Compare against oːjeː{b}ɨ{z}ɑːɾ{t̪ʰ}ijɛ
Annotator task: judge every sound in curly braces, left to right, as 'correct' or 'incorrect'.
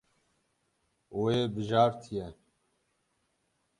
correct, incorrect: ʒ, correct

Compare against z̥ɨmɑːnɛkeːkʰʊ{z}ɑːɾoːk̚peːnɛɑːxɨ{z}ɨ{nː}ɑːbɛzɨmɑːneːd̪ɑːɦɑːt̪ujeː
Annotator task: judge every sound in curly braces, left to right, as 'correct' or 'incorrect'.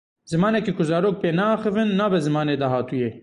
correct, incorrect: v, correct

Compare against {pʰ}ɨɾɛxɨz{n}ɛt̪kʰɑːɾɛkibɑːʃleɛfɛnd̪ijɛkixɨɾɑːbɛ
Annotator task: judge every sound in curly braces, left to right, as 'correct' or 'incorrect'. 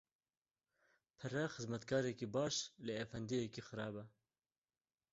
correct, incorrect: m

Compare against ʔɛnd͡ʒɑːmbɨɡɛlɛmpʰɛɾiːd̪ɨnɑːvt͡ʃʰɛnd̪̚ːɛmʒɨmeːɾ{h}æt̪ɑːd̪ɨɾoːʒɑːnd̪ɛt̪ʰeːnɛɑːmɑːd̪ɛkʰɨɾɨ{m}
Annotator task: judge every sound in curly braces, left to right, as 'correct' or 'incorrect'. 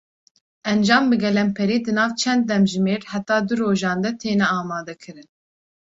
correct, incorrect: n

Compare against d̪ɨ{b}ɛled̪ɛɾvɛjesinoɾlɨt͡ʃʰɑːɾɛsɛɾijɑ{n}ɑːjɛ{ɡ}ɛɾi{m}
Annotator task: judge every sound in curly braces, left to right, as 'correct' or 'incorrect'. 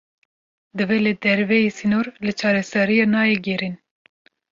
incorrect: v, correct, correct, incorrect: n

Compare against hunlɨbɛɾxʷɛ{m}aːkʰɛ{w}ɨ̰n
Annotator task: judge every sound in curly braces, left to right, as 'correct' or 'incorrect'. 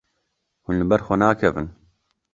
incorrect: n, incorrect: v

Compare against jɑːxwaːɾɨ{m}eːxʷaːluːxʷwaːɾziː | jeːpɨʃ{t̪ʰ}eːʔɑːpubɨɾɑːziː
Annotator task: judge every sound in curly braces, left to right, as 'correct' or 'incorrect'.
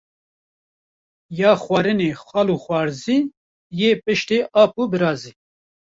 incorrect: n, incorrect: t̪

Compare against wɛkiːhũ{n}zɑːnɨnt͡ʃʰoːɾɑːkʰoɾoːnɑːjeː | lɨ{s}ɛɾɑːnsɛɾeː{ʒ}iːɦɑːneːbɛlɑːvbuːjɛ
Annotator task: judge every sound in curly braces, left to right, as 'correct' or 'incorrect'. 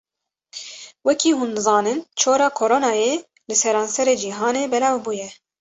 correct, correct, incorrect: d͡ʒ

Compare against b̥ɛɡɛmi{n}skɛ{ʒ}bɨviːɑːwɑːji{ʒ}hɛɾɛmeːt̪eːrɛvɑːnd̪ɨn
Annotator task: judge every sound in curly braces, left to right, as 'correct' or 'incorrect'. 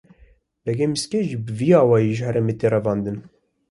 incorrect: none, correct, correct

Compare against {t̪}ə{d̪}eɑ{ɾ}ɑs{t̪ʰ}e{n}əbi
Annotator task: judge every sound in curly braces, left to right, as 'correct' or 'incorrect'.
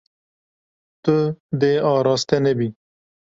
correct, correct, correct, incorrect: t̪, correct

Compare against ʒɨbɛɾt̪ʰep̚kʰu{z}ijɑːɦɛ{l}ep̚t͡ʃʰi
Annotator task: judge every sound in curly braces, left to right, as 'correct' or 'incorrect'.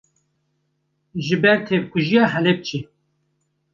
incorrect: ʒ, correct

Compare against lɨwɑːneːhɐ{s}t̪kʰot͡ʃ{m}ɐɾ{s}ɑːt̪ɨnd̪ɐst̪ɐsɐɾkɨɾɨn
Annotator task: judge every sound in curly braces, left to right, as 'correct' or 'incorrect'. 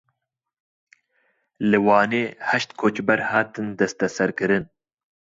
incorrect: ʃ, incorrect: b, incorrect: h

